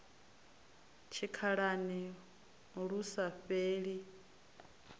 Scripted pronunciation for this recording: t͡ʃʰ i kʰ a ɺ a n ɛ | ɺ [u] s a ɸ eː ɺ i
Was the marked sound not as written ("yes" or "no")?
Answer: no